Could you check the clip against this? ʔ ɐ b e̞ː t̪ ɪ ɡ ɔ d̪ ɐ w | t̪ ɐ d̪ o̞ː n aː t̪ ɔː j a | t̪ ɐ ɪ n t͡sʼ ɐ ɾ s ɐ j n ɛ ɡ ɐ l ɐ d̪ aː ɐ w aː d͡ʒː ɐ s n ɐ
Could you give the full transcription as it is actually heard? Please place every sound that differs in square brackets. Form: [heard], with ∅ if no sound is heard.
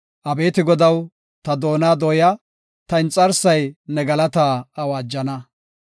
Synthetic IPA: ʔ ɐ b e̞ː t̪ ɪ ɡ ɔ d̪ ɐ w | t̪ ɐ d̪ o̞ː n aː [d̪] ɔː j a | t̪ ɐ ɪ n t͡sʼ ɐ ɾ s ɐ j n ɛ ɡ ɐ l ɐ [t̪] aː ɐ w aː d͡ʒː ɐ [∅] n ɐ

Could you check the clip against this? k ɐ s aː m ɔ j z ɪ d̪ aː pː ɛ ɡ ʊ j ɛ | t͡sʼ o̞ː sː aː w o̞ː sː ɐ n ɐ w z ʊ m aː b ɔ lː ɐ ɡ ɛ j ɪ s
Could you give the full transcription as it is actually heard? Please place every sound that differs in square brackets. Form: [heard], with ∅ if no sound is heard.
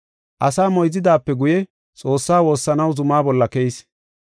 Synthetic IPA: [ʔ] ɐ s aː m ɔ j z ɪ d̪ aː pː ɛ ɡ ʊ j ɛ | t͡sʼ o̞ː sː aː w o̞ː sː ɐ n ɐ w z ʊ m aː b ɔ lː ɐ [k] ɛ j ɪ s

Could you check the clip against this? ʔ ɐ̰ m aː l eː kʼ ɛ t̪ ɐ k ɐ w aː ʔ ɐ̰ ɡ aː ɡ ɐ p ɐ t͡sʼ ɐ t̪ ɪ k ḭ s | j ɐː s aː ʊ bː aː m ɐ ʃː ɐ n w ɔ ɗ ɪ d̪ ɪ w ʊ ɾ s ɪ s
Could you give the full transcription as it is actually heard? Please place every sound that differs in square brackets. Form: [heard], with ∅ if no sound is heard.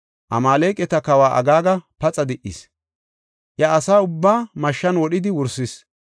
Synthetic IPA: ʔ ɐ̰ m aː l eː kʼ ɛ t̪ ɐ k ɐ w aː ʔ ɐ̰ ɡ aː ɡ ɐ p ɐ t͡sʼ ɐ [d̪] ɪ [ʔ] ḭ s | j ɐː s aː ʊ bː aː m ɐ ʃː ɐ n w ɔ ɗ ɪ d̪ ɪ w ʊ ɾ s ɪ s

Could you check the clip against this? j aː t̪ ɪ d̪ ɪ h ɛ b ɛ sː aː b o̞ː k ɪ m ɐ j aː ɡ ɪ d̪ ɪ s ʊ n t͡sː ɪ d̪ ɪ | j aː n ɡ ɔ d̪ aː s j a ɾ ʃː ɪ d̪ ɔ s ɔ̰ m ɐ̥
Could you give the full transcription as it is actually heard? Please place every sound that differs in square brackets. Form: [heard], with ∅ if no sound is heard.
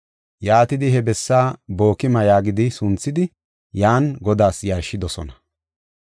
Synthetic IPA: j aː t̪ ɪ d̪ ɪ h ɛ b ɛ sː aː b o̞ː k ɪ m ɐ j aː ɡ ɪ d̪ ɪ s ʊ n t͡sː ɪ d̪ ɪ | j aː n ɡ ɔ d̪ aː s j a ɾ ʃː ɪ d̪ ɔ s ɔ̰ [n] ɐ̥

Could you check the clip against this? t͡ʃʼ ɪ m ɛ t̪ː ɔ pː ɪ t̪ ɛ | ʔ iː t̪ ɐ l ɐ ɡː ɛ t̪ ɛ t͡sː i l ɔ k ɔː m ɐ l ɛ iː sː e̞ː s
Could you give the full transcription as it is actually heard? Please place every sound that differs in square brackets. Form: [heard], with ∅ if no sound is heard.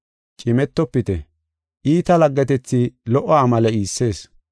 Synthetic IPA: t͡ʃʼ ɪ m ɛ t̪ː ɔ pː ɪ t̪ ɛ | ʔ iː t̪ ɐ l ɐ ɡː ɛ t̪ ɛ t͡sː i l ɔ [ʔ] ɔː m ɐ l ɛ iː sː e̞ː s

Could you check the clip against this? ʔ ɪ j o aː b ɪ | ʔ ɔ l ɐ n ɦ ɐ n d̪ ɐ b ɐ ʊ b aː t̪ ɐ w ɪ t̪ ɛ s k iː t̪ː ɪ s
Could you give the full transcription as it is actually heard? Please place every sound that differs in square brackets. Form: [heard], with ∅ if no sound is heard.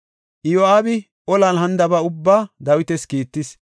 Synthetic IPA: ʔ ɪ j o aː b ɪ | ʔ ɔ l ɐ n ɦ ɐ n d̪ ɐ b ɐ ʊ [bː] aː [d̪] ɐ w ɪ t̪ ɛ s k iː t̪ː ɪ s

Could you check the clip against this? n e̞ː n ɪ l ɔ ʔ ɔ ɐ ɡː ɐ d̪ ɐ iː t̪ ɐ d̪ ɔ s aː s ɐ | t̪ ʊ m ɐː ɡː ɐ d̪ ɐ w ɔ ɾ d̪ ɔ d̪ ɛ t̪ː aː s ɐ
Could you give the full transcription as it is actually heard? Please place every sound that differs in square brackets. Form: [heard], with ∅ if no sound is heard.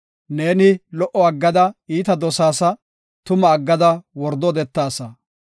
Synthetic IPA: n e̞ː n ɪ l ɔ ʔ ɔ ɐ ɡː ɐ d̪ ɐ iː t̪ ɐ d̪ ɔ s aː s ɐ | t̪ ʊ m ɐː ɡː ɐ d̪ ɐ w ɔ ɾ d̪ ɔ d̪ ɛ t̪ː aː s ɐ

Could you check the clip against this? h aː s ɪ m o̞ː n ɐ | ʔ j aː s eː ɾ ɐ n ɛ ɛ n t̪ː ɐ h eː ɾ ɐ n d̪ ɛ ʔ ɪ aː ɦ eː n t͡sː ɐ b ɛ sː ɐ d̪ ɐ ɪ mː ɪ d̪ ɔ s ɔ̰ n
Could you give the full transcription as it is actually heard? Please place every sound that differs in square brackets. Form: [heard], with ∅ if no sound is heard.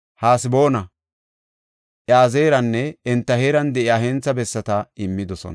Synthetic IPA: h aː s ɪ [b] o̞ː n ɐ | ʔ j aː [z] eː ɾ ɐ [nː] ɛ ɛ n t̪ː ɐ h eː ɾ ɐ n d̪ ɛ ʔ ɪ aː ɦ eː n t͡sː ɐ b ɛ sː ɐ [t̪] ɐ ɪ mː ɪ d̪ ɔ s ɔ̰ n

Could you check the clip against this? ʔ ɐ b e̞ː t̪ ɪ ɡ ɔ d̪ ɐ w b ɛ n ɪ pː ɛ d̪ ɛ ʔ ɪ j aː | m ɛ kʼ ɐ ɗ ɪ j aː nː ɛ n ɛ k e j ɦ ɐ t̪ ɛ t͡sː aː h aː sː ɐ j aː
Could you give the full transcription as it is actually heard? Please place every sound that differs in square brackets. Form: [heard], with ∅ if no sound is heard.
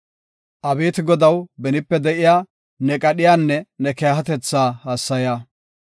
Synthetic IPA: ʔ ɐ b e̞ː t̪ ɪ ɡ ɔ d̪ ɐ w b ɛ n ɪ pː ɛ d̪ ɛ ʔ ɪ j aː | [n] ɛ kʼ ɐ ɗ ɪ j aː nː ɛ n ɛ k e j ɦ ɐ t̪ ɛ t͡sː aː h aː sː ɐ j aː

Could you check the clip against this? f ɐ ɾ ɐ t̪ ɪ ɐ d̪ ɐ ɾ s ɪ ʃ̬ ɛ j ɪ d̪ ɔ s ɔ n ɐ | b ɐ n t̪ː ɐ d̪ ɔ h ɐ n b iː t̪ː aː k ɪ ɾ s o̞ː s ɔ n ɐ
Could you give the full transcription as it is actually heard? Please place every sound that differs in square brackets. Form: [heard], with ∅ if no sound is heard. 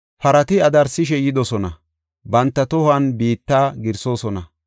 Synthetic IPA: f ɐ ɾ ɐ t̪ ɪ ɐ d̪ ɐ ɾ s ɪ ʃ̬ ɛ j ɪ d̪ ɔ s ɔ n ɐ | b ɐ n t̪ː ɐ [t̪] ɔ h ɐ n b iː t̪ː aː [ɡ] ɪ ɾ s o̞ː s ɔ n ɐ

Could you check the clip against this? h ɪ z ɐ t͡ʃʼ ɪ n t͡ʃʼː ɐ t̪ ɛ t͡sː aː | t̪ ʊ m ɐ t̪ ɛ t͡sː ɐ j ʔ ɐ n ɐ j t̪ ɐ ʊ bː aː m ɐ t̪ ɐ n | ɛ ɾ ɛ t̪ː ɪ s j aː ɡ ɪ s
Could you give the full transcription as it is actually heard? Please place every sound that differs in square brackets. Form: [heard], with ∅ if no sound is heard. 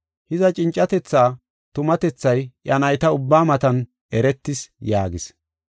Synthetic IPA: h ɪ z ɐ t͡ʃʼ ɪ n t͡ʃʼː ɐ t̪ ɛ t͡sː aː | t̪ ʊ m ɐ t̪ ɛ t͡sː ɐ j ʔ ɐ n ɐ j t̪ ɐ ʊ bː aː m ɐ t̪ ɐ n | ɛ ɾ ɛ t̪ː ɪ s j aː ɡ ɪ s

